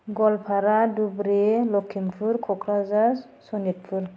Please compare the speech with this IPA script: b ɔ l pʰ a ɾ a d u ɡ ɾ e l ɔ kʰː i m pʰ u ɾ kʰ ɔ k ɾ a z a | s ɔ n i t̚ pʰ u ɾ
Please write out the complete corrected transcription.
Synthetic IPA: ɡ ɔ l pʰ a ɾ a d u b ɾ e l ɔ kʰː i m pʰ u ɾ kʰ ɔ k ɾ a z a | s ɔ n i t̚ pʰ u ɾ